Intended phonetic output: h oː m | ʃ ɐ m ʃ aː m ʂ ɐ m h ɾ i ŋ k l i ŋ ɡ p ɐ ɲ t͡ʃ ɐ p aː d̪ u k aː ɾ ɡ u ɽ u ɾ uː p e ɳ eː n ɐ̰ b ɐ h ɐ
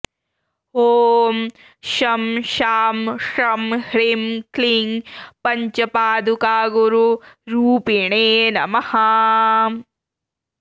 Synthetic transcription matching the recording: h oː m | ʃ ɐ m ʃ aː m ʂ ɐ m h ɾ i m k l i ŋ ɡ p ɐ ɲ t͡ʃ ɐ p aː d̪ u k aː ɡ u ɾ u ɾ uː p i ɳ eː n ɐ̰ m ɐ h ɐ

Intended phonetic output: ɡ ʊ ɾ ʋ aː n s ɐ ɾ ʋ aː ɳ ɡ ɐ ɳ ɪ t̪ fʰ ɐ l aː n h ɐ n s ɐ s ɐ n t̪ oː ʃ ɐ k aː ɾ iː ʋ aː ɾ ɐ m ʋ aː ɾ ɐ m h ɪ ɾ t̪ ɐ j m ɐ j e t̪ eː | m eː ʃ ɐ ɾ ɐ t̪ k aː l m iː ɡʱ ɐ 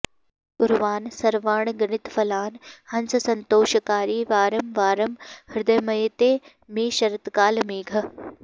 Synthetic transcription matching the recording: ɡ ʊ ɾ ʋ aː n s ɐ ɾ ʋ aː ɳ ɡ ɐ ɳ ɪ t̪ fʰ ɐ l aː n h ɐ n s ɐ s ɐ n t̪ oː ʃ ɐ k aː ɾ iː ʋ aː ɾ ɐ m ʋ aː ɾ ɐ m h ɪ ɾ d̪ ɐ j m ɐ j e t̪ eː | m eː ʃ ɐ ɾ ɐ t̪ k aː l m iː ɡʱ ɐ

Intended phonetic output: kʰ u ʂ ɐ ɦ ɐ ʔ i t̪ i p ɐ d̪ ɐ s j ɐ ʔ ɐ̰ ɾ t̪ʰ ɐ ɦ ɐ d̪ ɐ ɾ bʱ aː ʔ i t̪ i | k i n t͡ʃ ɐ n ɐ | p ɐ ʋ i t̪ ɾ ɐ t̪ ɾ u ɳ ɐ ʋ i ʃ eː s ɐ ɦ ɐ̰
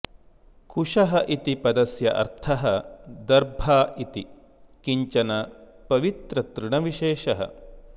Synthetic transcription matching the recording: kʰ u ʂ ɐ ɦ ɐ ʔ i t̪ i p ɐ d̪ ɐ s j ɐ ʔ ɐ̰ ɾ t̪ʰ ɐ ɦ ɐ d̪ ɐ ɾ bʱ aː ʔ i t̪ i | k i ɲ t͡ʃ ɐ n ɐ | p ɐ ʋ i t̪ ɾ ɐ t̪ ɾ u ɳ ɐ ʋ i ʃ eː ʃ ɐ ɦ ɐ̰

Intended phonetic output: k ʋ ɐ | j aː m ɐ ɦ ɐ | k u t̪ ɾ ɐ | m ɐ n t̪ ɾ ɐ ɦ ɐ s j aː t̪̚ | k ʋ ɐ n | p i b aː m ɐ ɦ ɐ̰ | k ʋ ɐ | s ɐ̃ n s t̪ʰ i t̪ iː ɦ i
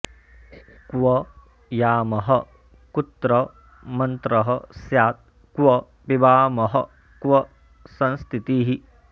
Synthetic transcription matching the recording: k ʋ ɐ | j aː m ɐ ɦ ɐ | k u t̪ ɾ ɐ | m ɐ n t̪ ɾ ɐ ɦ ɐ s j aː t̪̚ | k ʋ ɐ | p i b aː m ɐ ɦ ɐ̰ | k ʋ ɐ | s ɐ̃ n s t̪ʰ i t̪ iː ɦ i

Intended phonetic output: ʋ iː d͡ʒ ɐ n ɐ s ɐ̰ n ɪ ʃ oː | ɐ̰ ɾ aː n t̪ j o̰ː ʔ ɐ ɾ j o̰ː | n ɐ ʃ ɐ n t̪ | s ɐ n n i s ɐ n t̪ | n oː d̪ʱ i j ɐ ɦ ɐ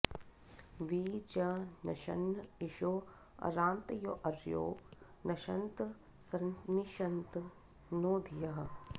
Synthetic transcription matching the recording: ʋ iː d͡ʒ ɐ n ɐ ʃ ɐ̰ n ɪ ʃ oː | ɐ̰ ɾ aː n t̪ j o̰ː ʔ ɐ ɾ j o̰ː | n ɐ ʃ ɐ n t̪ | s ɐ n n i ʃ ɐ n t̪ | n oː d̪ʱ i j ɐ ɦ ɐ

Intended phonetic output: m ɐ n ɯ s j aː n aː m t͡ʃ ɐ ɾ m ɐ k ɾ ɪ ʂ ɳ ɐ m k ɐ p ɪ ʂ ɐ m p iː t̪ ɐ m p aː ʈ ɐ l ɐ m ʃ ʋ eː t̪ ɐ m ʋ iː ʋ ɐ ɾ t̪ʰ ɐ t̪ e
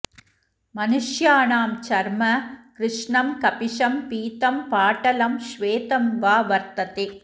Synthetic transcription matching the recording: m ɐ n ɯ ʂ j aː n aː m t͡ʃ ɐ ɾ m ɐ k ɾ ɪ ʂ ɳ ɐ m k ɐ p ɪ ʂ ɐ m p iː t̪ ɐ m p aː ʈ ɐ l ɐ m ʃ ʋ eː t̪ ɐ m ʋ aː ʋ ɐ ɾ t̪ ɐ t̪ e

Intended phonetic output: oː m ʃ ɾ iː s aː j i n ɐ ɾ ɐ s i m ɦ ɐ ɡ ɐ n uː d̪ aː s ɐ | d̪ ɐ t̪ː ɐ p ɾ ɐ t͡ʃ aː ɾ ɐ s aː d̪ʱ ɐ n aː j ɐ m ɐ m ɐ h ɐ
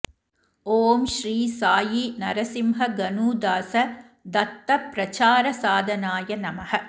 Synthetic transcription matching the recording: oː m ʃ ɾ iː s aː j i n ɐ ɾ ɐ s i m ɦ ɐ ɡ ɐ n uː d̪ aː s ɐ | d̪ ɐ t̪ː ɐ p ɾ ɐ t͡ʃ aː ɾ ɐ s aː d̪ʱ ɐ n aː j ɐ n ɐ m ɐ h ɐ

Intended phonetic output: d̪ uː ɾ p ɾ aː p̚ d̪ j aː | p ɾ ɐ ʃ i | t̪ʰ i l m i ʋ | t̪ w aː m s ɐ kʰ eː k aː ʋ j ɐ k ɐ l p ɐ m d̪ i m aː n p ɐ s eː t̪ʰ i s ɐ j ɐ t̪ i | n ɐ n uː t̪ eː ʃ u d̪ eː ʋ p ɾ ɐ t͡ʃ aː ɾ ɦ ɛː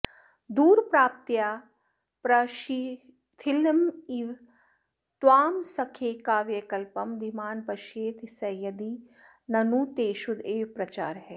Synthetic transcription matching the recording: d̪ uː ɾ p ɾ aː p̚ t̪ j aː | p ɾ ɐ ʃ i | t̪ʰ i l m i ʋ | t̪ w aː m s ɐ kʰ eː k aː ʋ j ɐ k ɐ l p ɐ m d̪ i m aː n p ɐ ʃ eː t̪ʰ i s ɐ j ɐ d̪ i | n ɐ n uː t̪ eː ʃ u d̪ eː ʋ p ɾ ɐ t͡ʃ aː ɾ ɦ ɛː

